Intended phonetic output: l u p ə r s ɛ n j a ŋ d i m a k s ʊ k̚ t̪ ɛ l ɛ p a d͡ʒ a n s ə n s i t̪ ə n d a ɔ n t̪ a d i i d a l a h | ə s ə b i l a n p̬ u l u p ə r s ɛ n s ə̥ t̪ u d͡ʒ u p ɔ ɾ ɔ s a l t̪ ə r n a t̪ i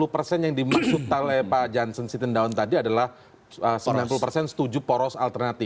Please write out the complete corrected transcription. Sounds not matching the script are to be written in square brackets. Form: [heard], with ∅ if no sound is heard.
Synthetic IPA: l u p ə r s ɛ n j a ŋ d i m a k s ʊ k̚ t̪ [a] l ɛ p a d͡ʒ a n s ə n s i t̪ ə n d a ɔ n t̪ a d i [a] d a l a h | ə s ə b i l a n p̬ u l u p ə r s ɛ n s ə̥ t̪ u d͡ʒ u p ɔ ɾ ɔ s a l t̪ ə r n a t̪ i